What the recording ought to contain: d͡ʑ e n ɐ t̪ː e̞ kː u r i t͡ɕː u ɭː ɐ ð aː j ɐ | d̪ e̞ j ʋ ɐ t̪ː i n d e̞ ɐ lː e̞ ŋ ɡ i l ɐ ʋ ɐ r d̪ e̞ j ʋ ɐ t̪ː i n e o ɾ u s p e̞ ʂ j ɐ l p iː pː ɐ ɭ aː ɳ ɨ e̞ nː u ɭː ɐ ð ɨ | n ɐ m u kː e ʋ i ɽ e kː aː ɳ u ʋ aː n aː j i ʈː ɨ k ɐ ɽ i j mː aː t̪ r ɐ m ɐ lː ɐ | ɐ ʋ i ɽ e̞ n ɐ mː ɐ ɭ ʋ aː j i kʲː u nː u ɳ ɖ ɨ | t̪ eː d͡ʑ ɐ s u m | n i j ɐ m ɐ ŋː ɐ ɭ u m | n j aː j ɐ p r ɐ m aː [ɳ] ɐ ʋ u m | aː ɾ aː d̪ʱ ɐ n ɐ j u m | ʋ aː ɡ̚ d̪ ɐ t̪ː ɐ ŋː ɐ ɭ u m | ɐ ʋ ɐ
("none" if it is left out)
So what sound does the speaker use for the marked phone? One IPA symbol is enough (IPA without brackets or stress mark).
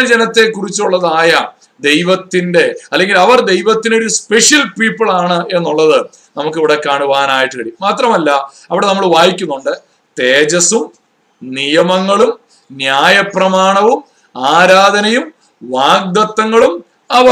ɳ